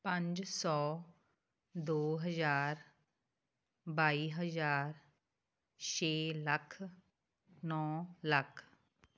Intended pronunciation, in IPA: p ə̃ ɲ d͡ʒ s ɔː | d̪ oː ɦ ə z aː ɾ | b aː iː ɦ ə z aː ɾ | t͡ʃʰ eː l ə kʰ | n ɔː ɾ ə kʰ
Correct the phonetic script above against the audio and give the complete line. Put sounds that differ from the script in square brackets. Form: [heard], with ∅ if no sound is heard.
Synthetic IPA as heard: p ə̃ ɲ d͡ʒ s ɔː | d̪ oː ɦ ə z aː ɾ | b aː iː ɦ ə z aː ɾ | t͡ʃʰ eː l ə kʰ | n ɔː [l] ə kʰ